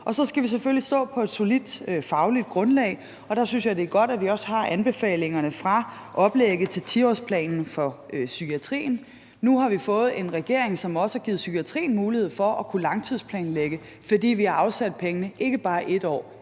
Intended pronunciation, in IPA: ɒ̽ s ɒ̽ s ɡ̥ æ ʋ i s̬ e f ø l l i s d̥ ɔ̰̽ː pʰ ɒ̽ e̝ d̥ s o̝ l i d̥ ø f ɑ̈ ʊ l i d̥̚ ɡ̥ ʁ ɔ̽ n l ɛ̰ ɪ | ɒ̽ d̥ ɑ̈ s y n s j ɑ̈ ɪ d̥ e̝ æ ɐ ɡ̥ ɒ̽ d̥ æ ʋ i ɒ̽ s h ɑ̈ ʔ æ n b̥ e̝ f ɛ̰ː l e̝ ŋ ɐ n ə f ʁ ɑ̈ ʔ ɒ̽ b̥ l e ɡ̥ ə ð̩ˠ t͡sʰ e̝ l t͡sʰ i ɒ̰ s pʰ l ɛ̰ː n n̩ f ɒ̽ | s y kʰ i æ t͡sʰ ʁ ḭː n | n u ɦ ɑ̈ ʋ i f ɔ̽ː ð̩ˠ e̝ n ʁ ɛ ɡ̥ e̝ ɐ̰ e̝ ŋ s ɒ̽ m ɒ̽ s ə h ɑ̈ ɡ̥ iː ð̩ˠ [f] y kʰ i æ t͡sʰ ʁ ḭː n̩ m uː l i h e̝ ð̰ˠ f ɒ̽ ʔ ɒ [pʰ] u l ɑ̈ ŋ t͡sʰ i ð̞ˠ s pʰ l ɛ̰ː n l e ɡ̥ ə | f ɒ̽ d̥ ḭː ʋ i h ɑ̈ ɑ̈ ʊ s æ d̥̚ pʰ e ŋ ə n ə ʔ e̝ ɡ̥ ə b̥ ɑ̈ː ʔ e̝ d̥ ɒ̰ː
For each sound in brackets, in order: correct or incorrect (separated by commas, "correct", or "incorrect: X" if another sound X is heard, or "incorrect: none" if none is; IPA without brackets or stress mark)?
incorrect: s, incorrect: kʰ